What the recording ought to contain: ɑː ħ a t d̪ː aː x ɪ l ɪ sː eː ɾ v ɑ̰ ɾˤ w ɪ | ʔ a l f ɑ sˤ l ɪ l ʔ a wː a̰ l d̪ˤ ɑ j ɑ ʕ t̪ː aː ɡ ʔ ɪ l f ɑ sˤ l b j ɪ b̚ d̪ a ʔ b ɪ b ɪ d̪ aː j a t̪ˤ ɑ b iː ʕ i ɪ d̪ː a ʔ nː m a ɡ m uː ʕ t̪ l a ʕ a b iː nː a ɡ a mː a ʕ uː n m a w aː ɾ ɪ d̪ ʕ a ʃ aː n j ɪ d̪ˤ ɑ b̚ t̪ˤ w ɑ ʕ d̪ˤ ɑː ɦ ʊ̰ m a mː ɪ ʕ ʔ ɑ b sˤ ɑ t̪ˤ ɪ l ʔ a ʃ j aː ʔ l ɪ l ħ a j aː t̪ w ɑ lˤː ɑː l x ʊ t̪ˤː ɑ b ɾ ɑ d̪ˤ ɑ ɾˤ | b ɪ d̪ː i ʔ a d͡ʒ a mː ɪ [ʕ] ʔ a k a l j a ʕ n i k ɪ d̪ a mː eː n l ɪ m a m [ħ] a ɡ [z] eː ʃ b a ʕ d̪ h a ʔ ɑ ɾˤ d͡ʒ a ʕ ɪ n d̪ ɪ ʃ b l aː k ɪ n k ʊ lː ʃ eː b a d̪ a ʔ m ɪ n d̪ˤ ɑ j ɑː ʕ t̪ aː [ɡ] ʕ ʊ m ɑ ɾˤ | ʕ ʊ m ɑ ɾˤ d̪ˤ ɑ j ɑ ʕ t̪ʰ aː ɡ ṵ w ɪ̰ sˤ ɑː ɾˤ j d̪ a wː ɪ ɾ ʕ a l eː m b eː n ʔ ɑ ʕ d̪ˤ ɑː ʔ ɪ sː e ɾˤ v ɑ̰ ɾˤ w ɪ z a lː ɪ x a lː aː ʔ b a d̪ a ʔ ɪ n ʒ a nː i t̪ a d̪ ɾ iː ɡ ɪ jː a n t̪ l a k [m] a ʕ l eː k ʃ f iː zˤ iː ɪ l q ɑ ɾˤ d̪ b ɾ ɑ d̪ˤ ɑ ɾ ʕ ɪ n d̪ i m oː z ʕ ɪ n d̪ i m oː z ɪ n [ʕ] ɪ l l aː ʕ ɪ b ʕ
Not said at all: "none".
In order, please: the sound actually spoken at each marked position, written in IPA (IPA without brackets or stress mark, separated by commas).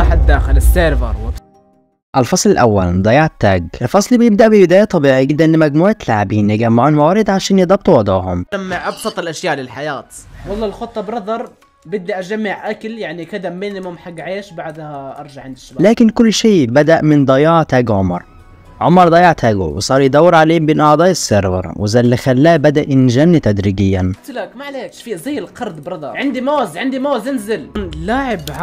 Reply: ʕ, ħ, ʕ, ɡ, m, z